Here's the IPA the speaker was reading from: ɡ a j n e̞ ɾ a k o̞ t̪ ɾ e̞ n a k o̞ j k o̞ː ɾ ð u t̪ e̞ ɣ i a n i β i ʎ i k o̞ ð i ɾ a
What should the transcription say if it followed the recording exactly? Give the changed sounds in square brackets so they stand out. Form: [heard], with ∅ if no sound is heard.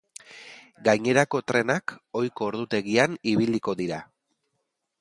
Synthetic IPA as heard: ɡ a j [ɲ] e̞ ɾ a k o̞ t̪ ɾ e̞ n a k o̞ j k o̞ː ɾ ð u t̪ e̞ ɣ i a n i β i [l] i k o̞ ð i ɾ a

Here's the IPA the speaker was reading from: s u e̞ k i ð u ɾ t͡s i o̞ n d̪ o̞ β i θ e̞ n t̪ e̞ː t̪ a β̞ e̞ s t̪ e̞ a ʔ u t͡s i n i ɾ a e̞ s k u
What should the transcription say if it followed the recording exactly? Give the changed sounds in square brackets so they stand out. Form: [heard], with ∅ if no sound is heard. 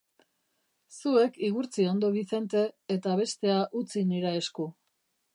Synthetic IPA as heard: s u e̞ k i [ɣ] u ɾ t͡s i o̞ n d̪ o̞ β i θ e̞ n t̪ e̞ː t̪ a β̞ e̞ s t̪ e̞ a ʔ u t͡s i n i ɾ a e̞ s k u

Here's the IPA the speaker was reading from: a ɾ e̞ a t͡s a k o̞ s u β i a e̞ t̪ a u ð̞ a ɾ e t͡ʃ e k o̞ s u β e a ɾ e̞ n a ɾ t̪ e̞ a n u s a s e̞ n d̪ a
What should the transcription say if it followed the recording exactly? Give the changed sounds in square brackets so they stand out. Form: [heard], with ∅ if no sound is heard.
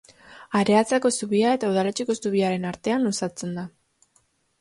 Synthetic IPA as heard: a ɾ e̞ a t͡s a k o̞ s u β i a e̞ t̪ a u ð̞ a [l] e t͡ʃ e k o̞ s u β [i] a ɾ e̞ n a ɾ t̪ e̞ a n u s a [t͡s] e̞ n d̪ a

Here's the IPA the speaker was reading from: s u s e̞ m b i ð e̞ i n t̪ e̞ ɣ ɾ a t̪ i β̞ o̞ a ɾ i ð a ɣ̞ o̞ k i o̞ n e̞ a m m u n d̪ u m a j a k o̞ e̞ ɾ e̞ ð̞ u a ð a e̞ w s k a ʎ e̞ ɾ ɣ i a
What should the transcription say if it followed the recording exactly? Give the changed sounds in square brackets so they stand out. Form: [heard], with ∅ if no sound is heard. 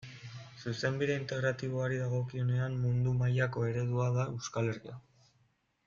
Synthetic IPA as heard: s u s e̞ m b i ð e̞ i n t̪ e̞ ɣ ɾ a t̪ i β̞ o̞ a ɾ i ð a ɣ̞ o̞ k i o̞ n e̞ a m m u n d̪ u m a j a k o̞ e̞ ɾ e̞ ð̞ u a ð a e̞ w s k a [l] e̞ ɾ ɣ i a

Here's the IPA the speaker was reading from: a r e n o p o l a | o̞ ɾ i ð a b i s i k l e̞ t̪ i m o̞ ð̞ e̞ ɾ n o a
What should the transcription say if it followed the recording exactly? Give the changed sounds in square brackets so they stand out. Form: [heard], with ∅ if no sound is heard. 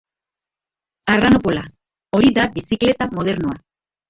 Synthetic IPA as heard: a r [a] n o p o l a | o̞ ɾ i ð a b i s i k l e̞ t̪ [a] m o̞ ð̞ e̞ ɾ n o a

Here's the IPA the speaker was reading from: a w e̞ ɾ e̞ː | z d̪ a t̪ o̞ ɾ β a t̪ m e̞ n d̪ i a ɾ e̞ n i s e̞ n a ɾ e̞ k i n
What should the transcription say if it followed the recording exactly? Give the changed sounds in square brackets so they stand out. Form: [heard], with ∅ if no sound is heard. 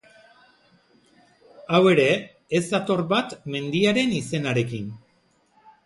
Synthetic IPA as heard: a w e̞ ɾ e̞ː | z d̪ a t̪ o̞ ɾ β a t̪ m e̞ n d̪ i a ɾ e̞ n i s e̞ n a ɾ e̞ k i n

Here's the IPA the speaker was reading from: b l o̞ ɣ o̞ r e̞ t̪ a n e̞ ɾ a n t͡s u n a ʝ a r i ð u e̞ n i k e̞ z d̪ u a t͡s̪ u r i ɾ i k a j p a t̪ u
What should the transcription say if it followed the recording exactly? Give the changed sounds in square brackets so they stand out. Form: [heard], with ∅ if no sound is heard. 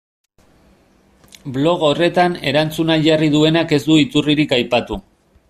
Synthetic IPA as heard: b l o̞ ɣ o̞ r e̞ t̪ a n e̞ ɾ a n t͡s u n a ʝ a r i ð u e̞ n [a] k e̞ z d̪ u [i] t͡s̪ u r i ɾ i k a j p a t̪ u

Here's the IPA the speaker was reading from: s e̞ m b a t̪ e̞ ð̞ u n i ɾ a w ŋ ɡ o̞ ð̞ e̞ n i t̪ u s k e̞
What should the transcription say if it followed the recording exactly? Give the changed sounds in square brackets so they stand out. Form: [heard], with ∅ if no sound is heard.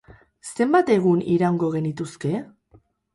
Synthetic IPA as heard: s e̞ m b a t̪ e̞ [ɣ̞] u n i ɾ a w ŋ ɡ o̞ [ɣ̞] e̞ n i t̪ u s k e̞

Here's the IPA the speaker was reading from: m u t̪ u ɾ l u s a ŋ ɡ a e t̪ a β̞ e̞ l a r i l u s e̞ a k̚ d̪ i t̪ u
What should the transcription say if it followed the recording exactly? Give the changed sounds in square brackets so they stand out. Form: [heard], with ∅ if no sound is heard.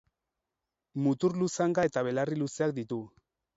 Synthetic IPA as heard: m u t̪ u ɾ l u s a ŋ ɡ a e t̪ a β̞ e̞ l a r i l u s e̞ a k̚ d̪ i t̪ u

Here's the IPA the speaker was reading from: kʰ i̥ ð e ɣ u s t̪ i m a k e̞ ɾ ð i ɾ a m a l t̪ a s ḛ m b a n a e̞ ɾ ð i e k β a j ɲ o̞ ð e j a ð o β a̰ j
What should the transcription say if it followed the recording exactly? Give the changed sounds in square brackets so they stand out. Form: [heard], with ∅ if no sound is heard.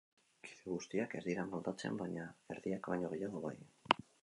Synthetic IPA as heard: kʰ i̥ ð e ɣ u s t̪ i [∅] a k e̞ ɾ ð i ɾ a m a l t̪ a [t͡s] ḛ m b a [ɲ] a e̞ ɾ ð i [a] k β a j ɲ o̞ [ɣ] e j a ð o β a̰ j

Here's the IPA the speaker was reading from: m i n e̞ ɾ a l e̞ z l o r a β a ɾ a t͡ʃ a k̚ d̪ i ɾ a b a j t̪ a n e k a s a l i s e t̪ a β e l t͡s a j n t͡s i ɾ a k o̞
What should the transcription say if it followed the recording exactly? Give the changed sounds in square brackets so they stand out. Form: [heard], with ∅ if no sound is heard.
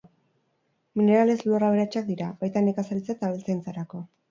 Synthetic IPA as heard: m i n e̞ ɾ a l e̞ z l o r a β [e] ɾ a t͡ʃ a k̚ d̪ i ɾ a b a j t̪ a n e k a s a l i [t͡s] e t̪ a β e l t͡s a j n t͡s [a] ɾ a k o̞

